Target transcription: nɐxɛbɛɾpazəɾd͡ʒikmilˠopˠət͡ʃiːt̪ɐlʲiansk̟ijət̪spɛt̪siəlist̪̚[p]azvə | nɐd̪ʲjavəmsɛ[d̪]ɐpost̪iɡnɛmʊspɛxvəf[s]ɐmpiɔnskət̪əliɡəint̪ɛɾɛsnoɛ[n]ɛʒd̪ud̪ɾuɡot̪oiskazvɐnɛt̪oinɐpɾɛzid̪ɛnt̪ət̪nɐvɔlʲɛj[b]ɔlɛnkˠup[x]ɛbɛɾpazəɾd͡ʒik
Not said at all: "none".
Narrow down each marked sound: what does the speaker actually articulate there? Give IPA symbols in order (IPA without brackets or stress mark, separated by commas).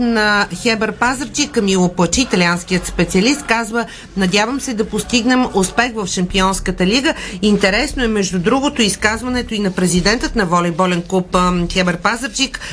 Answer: k, d̪, ʃ, m, b, x